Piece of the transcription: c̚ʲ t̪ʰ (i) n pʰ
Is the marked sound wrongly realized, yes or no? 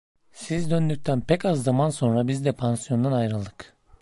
yes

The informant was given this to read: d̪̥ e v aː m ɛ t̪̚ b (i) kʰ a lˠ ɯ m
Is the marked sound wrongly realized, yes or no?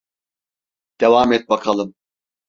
yes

